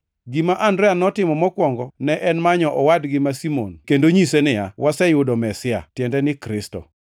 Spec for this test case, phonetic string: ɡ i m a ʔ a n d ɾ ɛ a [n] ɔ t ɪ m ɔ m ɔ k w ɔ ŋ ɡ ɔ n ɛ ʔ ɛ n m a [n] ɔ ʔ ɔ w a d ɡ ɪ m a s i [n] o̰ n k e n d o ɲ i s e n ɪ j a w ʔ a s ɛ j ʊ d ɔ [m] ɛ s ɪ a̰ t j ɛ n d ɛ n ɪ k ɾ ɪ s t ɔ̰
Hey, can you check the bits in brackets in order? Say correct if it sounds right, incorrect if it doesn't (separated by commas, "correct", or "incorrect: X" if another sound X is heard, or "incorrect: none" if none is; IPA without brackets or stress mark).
correct, incorrect: ɲ, incorrect: m, correct